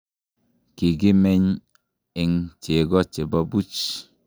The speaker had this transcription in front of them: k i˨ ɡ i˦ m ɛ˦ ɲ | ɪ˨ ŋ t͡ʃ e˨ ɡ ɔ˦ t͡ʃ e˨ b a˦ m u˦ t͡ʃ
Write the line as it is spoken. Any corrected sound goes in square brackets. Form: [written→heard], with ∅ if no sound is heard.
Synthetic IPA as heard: k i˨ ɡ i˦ m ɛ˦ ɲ | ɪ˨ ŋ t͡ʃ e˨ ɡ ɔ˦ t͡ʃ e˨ b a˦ [m→b] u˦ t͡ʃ